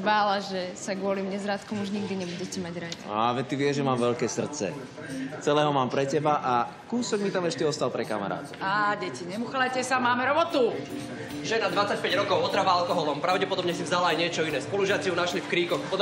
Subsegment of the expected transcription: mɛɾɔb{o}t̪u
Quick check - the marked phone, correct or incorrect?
incorrect